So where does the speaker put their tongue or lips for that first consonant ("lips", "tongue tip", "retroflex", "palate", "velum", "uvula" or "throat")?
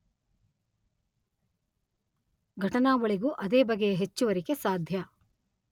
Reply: velum